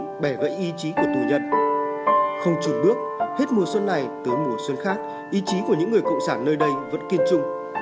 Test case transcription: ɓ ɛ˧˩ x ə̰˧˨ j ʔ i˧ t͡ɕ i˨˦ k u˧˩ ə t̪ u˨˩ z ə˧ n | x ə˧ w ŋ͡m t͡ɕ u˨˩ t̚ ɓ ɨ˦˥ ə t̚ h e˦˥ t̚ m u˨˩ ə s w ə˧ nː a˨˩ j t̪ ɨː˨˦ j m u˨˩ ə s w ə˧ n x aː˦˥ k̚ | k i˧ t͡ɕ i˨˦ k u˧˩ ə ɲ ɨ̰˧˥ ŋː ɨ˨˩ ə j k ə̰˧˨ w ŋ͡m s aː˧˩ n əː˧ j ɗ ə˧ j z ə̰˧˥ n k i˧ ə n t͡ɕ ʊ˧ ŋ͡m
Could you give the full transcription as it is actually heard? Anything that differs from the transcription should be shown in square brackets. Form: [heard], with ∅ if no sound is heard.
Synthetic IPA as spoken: ɓ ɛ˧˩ [ɣ] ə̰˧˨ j ʔ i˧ t͡ɕ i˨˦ k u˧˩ ə t̪ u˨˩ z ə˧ n | x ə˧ w ŋ͡m t͡ɕ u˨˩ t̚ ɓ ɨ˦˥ ə [k̚] h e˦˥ t̚ m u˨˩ ə s w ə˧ nː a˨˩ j t̪ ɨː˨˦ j m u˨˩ ə s w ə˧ n x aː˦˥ k̚ | [ʔ] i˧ t͡ɕ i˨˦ k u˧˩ ə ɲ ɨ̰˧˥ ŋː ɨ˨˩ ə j k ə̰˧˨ w ŋ͡m s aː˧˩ [nː] əː˧ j ɗ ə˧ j [v] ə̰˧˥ n k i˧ ə n t͡ɕ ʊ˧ ŋ͡m